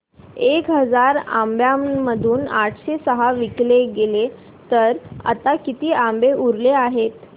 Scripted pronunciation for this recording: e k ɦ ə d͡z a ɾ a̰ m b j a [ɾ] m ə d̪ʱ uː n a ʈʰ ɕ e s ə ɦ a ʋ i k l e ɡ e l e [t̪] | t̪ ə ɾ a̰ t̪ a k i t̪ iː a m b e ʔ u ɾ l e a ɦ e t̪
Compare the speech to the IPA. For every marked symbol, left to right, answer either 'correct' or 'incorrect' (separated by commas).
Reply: incorrect, incorrect